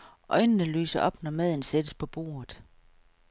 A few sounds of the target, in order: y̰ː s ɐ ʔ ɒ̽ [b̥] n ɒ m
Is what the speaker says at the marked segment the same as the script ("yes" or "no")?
yes